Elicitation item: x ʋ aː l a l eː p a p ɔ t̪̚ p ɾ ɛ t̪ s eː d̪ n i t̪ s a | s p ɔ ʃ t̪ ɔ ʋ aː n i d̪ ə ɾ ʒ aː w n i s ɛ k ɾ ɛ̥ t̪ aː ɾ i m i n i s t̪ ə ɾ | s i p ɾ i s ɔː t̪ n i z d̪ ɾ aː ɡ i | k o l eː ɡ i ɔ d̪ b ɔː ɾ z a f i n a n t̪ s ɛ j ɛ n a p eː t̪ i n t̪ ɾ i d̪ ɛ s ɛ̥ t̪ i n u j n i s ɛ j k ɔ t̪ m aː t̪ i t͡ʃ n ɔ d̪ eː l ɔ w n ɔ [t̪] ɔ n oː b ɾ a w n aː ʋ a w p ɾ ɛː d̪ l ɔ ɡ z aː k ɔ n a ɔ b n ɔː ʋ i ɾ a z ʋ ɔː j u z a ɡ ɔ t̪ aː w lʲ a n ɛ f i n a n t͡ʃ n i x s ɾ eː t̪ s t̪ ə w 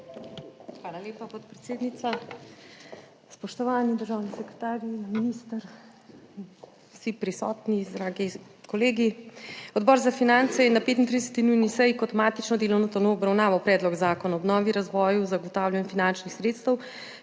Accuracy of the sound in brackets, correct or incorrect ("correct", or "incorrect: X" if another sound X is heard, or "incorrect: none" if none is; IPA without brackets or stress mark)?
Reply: correct